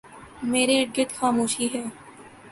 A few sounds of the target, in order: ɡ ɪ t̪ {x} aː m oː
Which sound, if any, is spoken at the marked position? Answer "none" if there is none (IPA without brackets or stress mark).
x